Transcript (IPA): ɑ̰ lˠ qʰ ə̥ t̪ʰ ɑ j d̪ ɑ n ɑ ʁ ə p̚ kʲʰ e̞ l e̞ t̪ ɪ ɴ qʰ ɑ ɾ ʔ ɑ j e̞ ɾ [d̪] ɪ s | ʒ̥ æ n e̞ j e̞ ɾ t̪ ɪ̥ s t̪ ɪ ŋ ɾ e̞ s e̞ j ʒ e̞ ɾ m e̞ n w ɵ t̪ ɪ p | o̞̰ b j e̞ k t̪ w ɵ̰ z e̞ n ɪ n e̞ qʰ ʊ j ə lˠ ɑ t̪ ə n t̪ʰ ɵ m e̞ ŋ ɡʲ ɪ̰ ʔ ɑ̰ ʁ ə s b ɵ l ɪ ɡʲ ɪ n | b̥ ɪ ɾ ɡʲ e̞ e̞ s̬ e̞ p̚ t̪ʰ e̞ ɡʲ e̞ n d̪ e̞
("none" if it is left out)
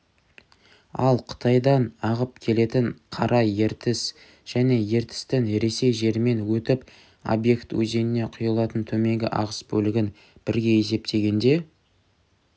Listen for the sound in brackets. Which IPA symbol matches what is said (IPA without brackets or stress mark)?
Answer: t̪